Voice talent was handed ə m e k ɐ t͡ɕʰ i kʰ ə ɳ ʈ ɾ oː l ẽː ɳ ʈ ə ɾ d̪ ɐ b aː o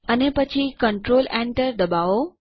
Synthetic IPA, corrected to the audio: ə n e p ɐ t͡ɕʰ i k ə ɳ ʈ ɾ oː l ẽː ɳ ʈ ə ɾ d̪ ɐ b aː o

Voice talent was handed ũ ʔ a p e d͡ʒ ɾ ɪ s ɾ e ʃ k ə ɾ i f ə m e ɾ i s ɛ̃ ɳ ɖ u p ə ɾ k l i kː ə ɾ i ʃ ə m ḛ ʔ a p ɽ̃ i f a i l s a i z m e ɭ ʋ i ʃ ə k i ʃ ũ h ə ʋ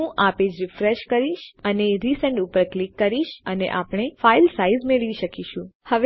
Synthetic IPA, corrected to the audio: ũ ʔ a p e d͡ʒ ɾ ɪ f ɾ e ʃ k ə ɾ i ʃ ə n e ɾ i s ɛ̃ ɳ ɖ u p ə ɾ k l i kː ə ɾ i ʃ ə n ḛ ʔ a p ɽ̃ e f a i l s a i z m e ɭ ʋ i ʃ ə k i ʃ ũ h ə ʋ

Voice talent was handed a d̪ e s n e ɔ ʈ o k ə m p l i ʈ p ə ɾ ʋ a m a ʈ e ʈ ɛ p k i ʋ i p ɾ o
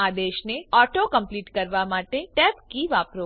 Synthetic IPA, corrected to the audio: a d̪ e ʃ n e ɔ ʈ o k ə m p l i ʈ k ə ɾ ʋ a m a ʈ e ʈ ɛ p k i ʋ a p ɾ o

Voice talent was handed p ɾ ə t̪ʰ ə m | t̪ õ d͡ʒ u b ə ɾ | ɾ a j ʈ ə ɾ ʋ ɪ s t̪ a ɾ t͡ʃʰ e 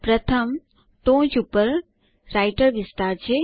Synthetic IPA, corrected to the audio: p ɾ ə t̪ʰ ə m | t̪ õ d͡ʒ u p ə ɾ | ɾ a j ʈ ə ɾ ʋ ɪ s t̪ a ɾ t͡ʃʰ e

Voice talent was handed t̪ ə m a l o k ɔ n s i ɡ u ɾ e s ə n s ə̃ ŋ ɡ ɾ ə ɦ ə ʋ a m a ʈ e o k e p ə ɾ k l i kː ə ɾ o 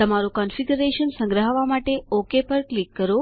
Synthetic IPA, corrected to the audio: t̪ ə m a ɾ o k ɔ n f i ɡ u ɾ e ʃ ə n s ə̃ ŋ ɡ ɾ ə ɦ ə ʋ a m a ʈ e o k e p ə ɾ k l i kː ə ɾ o

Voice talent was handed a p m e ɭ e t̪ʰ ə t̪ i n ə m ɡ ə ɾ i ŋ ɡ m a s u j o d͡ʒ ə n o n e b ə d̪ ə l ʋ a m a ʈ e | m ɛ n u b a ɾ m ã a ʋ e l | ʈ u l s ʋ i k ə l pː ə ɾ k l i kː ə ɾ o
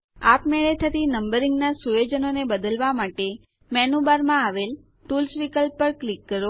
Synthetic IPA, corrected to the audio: a p m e ɭ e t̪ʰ ə t̪ i n ə m b ə ɾ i ŋ ɡ n a s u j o d͡ʒ ə n o n e b ə d̪ ə l ʋ a m a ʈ e | m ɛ n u b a ɾ m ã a ʋ e l | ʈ u l s ʋ i k ə l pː ə ɾ k l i kː ə ɾ o

